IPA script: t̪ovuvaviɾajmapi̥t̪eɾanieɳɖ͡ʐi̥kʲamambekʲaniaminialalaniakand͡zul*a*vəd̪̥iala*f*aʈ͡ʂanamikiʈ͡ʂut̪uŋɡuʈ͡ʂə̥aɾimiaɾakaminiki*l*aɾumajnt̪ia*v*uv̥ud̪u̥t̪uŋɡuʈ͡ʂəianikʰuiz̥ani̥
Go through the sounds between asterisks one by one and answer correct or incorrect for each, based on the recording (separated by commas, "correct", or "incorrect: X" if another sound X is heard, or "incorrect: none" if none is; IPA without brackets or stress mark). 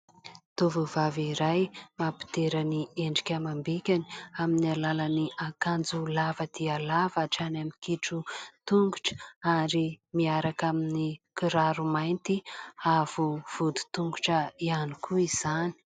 correct, incorrect: v, incorrect: ɾ, correct